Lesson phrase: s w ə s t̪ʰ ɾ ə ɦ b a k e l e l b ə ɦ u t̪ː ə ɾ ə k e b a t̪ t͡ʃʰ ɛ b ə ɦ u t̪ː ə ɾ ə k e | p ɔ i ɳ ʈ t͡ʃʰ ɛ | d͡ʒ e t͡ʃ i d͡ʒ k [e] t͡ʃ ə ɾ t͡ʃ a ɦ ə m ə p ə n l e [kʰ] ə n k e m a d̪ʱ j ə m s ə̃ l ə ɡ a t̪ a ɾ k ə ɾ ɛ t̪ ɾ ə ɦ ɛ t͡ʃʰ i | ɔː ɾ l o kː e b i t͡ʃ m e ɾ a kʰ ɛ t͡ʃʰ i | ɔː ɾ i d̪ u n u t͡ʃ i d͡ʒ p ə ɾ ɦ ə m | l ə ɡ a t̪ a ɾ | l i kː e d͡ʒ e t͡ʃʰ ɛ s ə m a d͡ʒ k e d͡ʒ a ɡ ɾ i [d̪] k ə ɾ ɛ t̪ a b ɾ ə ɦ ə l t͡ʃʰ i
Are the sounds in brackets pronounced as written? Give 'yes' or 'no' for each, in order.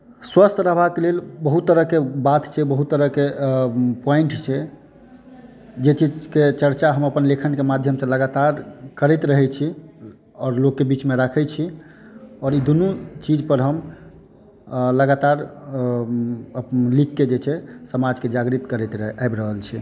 yes, yes, no

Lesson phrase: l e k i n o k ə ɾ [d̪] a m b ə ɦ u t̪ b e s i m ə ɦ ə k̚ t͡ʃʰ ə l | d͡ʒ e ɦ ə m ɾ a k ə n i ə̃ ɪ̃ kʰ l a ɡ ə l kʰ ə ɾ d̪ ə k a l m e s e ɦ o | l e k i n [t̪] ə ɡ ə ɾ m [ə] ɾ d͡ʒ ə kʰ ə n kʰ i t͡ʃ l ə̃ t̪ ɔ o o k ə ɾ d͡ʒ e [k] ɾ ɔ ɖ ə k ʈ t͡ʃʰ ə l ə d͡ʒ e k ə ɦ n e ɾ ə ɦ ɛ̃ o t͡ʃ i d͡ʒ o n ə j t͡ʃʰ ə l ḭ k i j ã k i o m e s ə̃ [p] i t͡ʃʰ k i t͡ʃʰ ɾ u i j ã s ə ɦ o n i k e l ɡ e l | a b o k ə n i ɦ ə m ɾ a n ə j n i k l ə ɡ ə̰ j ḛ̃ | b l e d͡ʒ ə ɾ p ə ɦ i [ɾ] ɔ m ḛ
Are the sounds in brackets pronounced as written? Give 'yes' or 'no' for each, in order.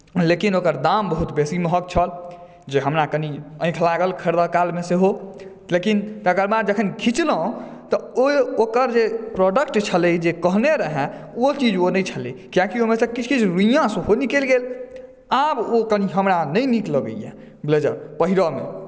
yes, yes, no, no, no, yes

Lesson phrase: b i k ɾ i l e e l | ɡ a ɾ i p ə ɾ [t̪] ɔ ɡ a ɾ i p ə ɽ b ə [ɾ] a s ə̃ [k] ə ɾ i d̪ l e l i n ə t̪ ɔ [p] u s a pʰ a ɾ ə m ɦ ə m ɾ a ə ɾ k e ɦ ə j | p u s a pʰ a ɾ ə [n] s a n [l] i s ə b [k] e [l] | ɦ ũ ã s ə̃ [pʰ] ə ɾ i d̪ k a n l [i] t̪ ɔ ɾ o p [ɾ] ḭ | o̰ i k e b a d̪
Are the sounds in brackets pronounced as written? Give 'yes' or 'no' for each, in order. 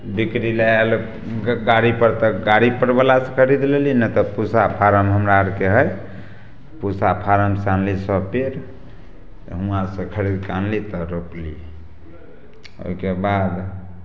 yes, no, no, yes, no, yes, no, no, no, yes, no

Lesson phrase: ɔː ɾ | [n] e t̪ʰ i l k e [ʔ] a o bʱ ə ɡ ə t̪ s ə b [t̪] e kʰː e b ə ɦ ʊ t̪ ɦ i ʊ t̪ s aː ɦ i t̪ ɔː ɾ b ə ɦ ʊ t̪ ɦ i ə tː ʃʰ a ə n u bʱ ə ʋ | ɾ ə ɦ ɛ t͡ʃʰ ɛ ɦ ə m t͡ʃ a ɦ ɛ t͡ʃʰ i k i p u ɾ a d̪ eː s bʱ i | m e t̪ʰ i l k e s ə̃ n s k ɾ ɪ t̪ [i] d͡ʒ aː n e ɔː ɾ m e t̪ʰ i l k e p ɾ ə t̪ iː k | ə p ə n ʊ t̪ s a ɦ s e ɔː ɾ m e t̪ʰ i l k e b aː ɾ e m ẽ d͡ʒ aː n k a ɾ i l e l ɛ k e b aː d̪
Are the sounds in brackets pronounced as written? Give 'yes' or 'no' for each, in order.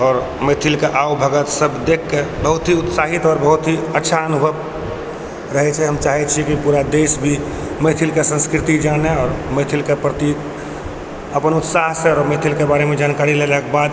no, yes, no, yes

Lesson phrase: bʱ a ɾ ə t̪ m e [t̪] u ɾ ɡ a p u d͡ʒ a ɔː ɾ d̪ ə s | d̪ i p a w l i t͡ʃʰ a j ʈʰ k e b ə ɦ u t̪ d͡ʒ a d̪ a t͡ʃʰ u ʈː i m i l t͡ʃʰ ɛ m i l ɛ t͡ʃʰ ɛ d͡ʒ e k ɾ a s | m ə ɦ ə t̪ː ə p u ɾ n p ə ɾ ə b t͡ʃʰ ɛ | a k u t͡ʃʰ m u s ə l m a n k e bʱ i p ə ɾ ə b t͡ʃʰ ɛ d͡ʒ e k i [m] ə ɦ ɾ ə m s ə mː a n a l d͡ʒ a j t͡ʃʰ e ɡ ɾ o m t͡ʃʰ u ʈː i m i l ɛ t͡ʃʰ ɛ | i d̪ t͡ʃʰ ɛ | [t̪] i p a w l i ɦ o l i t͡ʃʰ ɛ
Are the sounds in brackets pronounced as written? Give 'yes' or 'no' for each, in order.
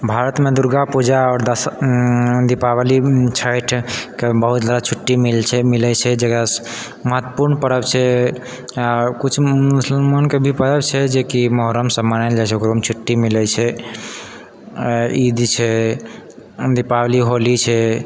no, yes, no

